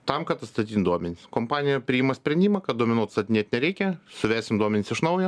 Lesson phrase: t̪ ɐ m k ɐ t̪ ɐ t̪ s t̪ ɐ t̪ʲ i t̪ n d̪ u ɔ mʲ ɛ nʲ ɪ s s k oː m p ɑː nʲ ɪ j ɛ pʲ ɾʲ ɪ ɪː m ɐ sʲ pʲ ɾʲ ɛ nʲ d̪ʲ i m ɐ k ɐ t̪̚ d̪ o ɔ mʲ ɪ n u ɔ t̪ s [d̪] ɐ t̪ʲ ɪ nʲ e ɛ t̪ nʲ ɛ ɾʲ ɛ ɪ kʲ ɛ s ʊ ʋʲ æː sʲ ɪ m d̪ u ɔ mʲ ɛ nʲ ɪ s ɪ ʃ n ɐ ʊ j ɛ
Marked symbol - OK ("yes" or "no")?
no